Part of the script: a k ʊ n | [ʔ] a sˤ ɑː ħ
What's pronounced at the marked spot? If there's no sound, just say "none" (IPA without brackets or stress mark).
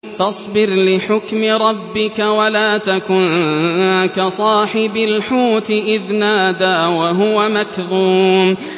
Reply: k